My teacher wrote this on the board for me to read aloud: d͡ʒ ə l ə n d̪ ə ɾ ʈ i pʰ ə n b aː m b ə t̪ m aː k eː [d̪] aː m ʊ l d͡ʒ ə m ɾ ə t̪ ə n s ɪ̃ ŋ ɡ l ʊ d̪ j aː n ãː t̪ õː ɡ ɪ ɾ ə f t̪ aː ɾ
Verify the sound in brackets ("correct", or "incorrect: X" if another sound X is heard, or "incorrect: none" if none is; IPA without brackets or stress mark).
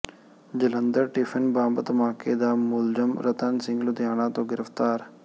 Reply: correct